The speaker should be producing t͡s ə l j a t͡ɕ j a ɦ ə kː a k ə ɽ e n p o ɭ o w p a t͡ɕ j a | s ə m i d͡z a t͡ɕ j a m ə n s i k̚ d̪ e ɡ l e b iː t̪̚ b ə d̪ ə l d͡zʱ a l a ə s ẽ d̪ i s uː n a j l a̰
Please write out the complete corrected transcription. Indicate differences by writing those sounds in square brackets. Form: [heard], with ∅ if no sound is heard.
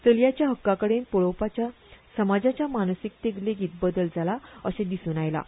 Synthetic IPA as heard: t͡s ə l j a t͡ɕ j a ɦ ə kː a k ə ɽ e n p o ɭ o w p a t͡ɕ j a | s ə m [a] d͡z a t͡ɕ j a m [a] n s i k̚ [t̪] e ɡ l e [ɡ] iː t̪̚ b ə d̪ ə l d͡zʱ a l a ə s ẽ d̪ i s uː n a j l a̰